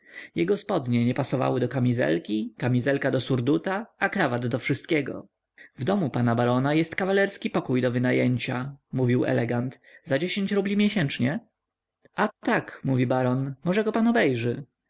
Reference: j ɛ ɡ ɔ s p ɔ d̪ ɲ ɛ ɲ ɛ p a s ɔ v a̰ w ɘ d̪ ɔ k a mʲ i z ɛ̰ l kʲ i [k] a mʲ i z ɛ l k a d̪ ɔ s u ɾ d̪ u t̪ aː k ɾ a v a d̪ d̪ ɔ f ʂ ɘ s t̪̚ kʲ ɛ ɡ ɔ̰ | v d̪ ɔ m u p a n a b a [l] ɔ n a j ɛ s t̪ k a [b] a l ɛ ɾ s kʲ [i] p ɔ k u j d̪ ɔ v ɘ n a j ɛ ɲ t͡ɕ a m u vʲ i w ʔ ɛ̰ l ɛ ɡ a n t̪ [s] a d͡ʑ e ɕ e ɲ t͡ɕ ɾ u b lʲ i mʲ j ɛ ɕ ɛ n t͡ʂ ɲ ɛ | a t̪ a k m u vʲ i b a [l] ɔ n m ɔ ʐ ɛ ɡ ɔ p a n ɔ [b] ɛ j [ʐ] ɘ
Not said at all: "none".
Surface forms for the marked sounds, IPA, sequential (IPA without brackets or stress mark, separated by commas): k, ɾ, v, i, z, ɾ, b, ʐ